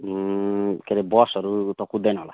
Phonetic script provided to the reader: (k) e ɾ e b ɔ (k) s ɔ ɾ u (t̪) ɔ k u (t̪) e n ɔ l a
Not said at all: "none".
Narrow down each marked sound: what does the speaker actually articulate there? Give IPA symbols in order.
k, none, t̪, d̪

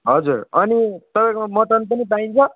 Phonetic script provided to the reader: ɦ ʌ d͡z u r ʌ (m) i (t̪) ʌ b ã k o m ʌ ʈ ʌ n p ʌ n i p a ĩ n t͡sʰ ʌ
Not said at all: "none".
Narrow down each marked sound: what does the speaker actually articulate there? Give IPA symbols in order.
n, t̪

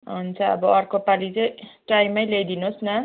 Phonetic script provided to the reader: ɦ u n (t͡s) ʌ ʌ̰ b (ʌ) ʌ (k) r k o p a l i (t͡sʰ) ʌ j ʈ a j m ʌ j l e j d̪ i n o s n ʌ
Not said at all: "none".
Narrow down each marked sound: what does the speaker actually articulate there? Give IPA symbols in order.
t͡sʰ, ʌ, none, t͡s

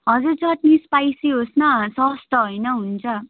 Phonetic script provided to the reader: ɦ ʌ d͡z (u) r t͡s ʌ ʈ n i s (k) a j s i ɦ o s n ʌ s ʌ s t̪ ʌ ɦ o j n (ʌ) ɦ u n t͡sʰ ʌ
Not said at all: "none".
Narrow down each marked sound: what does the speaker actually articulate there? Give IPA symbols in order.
u, p, ʌ

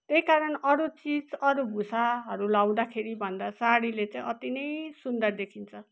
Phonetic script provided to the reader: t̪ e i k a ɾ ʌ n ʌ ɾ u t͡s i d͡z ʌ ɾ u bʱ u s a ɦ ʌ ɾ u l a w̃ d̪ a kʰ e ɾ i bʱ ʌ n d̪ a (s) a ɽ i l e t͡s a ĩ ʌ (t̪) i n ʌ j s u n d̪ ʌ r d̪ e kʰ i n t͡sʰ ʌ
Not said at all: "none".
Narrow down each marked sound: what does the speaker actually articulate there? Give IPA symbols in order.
s, t̪

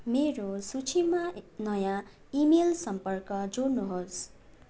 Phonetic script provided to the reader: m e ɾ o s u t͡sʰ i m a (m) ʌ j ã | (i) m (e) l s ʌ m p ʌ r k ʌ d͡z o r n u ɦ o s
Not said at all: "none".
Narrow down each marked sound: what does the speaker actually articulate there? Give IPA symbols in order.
n, i, e

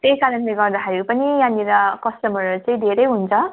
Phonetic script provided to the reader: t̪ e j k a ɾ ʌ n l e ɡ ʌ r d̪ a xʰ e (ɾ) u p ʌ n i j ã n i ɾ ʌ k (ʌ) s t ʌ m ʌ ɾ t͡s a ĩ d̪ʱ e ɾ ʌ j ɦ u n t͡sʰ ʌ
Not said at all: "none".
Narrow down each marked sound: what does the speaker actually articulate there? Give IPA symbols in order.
ɾ, ʌ

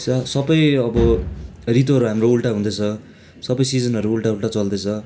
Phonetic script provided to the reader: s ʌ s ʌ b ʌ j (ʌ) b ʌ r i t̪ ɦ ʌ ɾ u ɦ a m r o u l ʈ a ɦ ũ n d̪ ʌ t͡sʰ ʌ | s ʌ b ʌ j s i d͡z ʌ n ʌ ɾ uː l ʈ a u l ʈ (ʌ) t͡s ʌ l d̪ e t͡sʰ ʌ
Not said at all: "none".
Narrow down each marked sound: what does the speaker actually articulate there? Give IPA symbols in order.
ʌ, a

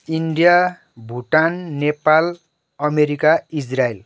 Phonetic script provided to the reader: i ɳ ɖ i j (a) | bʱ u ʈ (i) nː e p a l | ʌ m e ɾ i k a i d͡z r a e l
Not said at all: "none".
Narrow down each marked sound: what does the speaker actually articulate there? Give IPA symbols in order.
a, a

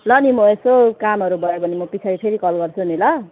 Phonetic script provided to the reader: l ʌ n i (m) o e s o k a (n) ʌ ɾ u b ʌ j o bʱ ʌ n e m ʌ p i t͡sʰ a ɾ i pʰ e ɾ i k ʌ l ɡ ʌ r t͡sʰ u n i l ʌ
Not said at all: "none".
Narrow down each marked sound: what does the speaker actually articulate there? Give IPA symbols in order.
m, m

